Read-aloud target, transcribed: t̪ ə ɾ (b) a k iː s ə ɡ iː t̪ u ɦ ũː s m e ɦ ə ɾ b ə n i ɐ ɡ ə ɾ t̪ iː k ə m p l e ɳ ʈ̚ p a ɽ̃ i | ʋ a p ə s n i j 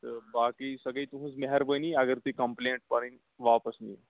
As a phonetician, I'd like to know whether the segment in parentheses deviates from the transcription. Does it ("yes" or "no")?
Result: no